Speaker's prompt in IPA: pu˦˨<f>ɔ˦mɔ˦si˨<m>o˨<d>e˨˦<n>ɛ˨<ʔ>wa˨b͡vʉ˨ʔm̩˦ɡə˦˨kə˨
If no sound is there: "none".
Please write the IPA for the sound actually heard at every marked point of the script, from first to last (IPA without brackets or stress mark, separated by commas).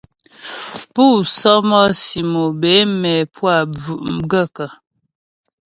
s, m, b, m, p